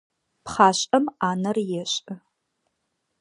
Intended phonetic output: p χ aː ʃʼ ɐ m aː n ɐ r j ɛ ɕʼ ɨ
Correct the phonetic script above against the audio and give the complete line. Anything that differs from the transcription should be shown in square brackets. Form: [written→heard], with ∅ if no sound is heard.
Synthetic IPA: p χ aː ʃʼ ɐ m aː n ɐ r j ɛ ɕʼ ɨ